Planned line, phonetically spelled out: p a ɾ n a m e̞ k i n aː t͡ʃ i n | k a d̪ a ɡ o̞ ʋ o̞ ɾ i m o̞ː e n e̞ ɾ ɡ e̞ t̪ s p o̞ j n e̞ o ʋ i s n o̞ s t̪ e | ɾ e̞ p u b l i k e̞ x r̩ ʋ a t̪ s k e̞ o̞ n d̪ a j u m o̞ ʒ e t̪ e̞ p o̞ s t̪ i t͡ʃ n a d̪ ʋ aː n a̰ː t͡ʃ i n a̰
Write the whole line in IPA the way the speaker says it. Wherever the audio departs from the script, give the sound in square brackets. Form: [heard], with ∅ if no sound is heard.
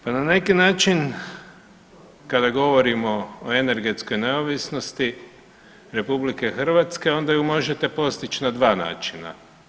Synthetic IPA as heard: p a [∅] n a [n] e̞ k i n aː t͡ʃ i n | k a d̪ a ɡ o̞ ʋ o̞ ɾ i m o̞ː e n e̞ ɾ ɡ e̞ t̪ s [k] o̞ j n e̞ o ʋ i s n o̞ s t̪ [i] | ɾ e̞ p u b l i k e̞ x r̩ ʋ a t̪ s k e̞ o̞ n d̪ a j u m o̞ ʒ e t̪ e̞ p o̞ s t̪ i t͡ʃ n a d̪ ʋ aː n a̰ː t͡ʃ i n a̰